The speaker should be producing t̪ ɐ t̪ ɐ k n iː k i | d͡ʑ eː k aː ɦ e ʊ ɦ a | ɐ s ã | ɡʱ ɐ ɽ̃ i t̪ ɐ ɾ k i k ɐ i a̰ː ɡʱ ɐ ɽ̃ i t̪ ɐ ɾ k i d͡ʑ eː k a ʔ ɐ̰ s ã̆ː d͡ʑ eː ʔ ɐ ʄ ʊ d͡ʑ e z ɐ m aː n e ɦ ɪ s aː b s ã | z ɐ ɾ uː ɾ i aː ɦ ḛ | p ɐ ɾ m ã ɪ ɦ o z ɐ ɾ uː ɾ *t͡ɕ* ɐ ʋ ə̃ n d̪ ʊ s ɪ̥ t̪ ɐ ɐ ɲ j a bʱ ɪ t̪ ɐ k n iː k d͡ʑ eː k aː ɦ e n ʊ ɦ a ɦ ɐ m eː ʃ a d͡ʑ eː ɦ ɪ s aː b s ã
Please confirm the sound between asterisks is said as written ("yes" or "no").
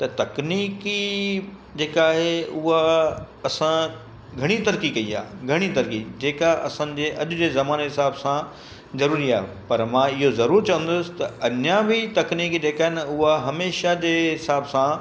yes